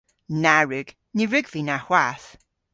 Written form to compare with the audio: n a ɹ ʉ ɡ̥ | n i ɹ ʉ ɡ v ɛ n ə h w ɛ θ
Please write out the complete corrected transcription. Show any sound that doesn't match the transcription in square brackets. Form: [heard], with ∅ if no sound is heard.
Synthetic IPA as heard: n a ɹ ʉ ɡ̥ | n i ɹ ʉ ɡ v [i] n [a] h w [a] θ